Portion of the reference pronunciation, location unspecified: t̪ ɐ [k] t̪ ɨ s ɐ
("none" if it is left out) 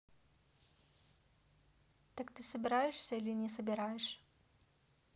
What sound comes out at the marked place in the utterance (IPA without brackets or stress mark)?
k